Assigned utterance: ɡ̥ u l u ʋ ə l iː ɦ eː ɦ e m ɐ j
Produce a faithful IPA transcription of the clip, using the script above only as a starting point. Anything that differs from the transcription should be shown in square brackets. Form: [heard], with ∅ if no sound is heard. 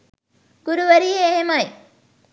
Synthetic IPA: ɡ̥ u [ɾ] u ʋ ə [ɾ] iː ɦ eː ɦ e m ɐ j

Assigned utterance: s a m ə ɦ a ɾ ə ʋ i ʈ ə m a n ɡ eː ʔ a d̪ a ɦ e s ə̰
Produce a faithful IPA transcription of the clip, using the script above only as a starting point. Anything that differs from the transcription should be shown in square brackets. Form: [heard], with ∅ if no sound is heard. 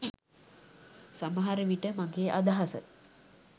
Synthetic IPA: s a m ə ɦ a ɾ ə ʋ i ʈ ə m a [ŋ] ɡ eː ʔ a d̪ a ɦ [a] s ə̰

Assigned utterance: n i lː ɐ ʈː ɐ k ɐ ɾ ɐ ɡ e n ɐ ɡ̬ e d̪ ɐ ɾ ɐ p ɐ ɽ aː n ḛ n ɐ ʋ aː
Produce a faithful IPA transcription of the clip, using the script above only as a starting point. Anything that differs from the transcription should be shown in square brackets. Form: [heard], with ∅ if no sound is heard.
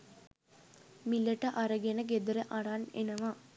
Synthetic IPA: [m] i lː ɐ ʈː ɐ [ʔ] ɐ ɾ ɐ ɡ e n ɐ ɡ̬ e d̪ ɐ ɾ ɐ [ʔ] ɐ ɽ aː n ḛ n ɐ ʋ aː

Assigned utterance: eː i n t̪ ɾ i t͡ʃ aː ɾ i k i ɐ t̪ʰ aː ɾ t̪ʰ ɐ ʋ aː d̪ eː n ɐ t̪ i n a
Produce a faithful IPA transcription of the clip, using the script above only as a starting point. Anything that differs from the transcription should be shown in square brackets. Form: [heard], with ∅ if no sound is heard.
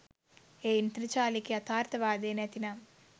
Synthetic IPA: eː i n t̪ ɾ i t͡ʃ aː [l] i k i ɐ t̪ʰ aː ɾ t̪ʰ ɐ ʋ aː d̪ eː n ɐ t̪ i n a

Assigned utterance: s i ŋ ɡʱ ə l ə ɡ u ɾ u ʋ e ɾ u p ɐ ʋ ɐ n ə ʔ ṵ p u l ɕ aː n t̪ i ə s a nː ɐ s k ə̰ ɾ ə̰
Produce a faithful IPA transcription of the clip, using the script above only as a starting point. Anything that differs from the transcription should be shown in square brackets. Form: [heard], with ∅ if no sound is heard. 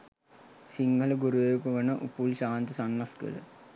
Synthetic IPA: s i ŋ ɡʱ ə l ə ɡ u ɾ u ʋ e ɾ u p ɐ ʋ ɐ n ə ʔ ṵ p u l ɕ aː n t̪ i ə s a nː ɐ s k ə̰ [l] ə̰

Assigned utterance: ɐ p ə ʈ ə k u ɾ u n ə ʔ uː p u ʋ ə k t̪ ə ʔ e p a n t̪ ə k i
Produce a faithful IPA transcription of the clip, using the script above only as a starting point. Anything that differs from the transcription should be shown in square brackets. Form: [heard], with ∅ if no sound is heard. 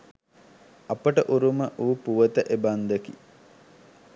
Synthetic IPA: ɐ p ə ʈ ə [ʔ] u ɾ u [m] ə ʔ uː p u ʋ ə [∅] t̪ ə ʔ e [b] a n [d̪] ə k i

